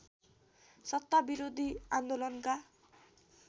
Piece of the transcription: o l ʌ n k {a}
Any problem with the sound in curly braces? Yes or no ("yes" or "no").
no